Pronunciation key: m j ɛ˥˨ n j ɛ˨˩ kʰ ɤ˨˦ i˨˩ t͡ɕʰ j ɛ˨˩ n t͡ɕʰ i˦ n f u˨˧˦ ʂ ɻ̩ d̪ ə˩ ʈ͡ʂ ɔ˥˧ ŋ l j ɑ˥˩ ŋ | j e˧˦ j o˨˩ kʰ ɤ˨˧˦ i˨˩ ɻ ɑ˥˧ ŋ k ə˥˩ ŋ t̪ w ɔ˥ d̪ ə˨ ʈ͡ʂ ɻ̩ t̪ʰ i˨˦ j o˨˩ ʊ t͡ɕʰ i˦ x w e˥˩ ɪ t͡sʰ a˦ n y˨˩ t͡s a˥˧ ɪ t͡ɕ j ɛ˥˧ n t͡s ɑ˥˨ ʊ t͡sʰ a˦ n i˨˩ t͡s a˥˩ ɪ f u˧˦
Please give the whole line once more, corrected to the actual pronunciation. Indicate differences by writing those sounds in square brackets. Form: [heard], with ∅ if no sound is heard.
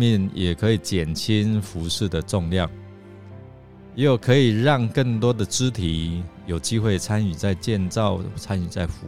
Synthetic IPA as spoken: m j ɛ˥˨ n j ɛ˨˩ kʰ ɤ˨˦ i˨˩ [t͡ɕ] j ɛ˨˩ n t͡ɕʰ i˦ n f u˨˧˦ ʂ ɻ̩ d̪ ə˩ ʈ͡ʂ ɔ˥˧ ŋ l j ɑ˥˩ ŋ | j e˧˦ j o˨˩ kʰ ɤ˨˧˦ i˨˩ ɻ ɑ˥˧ ŋ k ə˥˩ ŋ t̪ w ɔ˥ d̪ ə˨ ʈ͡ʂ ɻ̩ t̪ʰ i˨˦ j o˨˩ ʊ [t͡ɕ] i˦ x w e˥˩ ɪ t͡sʰ a˦ n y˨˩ t͡s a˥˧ ɪ t͡ɕ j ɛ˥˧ n t͡s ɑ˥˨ ʊ t͡sʰ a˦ n [y˨˩] t͡s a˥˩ ɪ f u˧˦